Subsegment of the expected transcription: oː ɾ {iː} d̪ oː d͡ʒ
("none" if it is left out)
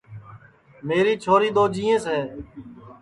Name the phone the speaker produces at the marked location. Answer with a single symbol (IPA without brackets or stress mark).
iː